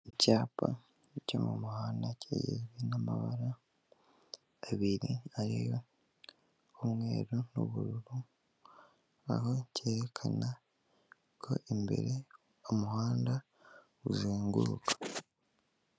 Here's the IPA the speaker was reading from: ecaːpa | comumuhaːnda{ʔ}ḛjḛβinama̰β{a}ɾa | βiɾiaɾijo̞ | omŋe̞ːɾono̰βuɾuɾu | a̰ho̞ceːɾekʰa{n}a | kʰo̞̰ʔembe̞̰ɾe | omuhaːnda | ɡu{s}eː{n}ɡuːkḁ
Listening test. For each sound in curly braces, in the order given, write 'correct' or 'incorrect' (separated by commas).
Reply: incorrect, correct, correct, incorrect, incorrect